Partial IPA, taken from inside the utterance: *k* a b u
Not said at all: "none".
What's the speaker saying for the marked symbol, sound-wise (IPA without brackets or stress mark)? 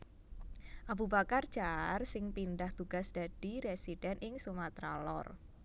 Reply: ʔ